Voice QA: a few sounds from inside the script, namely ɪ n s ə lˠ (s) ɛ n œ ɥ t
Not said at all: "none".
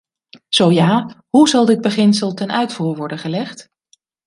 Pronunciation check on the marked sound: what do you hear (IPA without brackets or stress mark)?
t